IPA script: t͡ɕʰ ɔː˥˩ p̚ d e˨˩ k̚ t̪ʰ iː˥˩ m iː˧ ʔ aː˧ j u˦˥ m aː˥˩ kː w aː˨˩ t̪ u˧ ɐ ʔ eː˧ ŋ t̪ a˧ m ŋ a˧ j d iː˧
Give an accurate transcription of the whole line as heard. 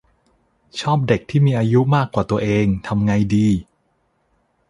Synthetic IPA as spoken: t͡ɕʰ ɔː˥˩ p̚ d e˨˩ k̚ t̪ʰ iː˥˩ m iː˧ ʔ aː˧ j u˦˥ m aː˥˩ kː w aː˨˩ t̪ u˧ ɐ ʔ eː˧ ŋ t̪ʰ a˧ m ŋ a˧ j d iː˧